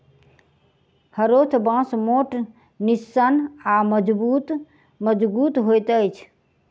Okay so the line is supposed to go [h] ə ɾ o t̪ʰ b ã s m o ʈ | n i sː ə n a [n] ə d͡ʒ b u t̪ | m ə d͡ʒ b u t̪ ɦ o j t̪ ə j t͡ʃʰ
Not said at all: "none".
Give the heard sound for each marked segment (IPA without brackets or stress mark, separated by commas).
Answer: h, m